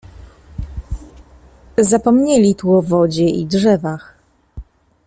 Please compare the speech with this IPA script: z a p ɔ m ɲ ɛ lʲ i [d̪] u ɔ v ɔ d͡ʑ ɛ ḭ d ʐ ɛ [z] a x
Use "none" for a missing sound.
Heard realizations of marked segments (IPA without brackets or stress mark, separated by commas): t̪, v